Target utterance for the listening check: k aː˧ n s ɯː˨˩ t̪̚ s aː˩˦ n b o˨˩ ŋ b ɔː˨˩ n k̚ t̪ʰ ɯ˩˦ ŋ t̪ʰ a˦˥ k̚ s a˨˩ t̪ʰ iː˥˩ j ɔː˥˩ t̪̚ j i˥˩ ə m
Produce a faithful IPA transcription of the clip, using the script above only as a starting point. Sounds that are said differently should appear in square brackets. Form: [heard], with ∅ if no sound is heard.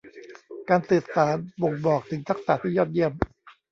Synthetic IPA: k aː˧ n s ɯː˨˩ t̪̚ s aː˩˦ n b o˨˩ ŋ b ɔː˨˩ [∅] k̚ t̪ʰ ɯ˩˦ ŋ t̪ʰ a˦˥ k̚ s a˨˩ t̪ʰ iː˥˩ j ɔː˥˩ t̪̚ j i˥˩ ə m